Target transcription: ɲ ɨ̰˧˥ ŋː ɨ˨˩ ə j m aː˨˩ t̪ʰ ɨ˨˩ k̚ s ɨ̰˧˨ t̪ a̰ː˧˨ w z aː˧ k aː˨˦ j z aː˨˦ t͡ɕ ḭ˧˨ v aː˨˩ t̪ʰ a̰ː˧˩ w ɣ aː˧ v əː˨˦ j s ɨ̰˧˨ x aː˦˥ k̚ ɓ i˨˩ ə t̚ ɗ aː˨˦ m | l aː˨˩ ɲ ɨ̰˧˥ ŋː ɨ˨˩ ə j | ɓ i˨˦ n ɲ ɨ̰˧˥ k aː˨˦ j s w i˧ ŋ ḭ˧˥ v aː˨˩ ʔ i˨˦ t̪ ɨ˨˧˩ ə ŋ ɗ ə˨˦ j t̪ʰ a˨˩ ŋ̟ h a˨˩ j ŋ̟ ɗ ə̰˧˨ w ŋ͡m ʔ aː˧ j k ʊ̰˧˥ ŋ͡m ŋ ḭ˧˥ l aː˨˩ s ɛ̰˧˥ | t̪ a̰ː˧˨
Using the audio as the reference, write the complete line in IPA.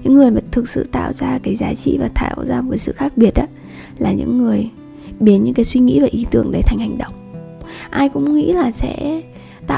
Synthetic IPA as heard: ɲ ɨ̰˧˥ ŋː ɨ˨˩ ə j m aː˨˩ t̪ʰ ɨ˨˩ k̚ s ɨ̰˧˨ t̪ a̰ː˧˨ w z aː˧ k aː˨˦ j z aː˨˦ t͡ɕ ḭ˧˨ v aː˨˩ t̪ʰ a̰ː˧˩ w z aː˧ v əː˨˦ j s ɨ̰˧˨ x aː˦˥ k̚ ɓ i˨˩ ə t̚ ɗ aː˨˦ | l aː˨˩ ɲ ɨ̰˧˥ ŋː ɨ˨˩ ə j | ɓ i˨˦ n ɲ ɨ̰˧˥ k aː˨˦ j s w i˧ ŋ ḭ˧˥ v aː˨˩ ʔ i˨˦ t̪ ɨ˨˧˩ ə ŋ ɗ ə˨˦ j t̪ʰ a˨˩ ŋ̟ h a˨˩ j ŋ̟ ɗ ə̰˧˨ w ŋ͡m ʔ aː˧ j k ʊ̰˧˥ ŋ͡m ŋ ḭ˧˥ l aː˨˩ s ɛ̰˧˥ | t̪ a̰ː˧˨